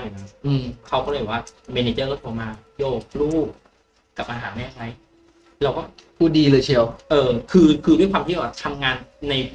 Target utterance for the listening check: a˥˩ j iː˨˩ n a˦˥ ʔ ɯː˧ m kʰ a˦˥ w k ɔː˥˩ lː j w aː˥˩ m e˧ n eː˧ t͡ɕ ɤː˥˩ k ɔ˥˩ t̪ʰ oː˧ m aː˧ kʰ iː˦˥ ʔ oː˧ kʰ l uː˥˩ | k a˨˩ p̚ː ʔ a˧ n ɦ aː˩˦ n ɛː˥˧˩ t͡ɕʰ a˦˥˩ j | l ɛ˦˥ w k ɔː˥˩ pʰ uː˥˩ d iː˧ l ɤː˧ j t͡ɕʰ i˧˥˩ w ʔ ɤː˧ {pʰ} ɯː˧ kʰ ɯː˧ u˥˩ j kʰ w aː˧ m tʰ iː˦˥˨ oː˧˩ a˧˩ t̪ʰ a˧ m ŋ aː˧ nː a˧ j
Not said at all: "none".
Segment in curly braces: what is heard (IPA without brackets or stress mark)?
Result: kʰ